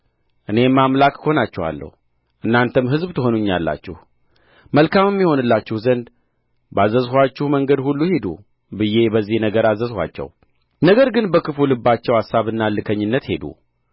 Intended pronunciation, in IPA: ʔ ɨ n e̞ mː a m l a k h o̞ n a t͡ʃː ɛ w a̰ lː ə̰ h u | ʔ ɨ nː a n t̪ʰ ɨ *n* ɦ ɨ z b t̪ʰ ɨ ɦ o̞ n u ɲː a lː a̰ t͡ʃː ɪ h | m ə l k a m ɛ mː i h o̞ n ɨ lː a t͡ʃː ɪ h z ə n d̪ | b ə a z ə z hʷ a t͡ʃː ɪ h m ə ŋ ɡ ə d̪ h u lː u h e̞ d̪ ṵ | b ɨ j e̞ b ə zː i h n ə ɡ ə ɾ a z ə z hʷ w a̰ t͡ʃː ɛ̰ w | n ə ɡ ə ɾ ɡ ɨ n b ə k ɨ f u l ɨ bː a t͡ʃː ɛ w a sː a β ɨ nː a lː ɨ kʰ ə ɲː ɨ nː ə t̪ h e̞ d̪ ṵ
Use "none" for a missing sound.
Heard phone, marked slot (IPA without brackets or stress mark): m